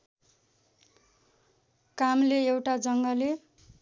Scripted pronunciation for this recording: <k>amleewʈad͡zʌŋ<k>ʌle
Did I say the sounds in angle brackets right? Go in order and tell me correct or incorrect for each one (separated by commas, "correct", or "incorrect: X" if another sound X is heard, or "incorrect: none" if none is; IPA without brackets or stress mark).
correct, incorrect: ɡ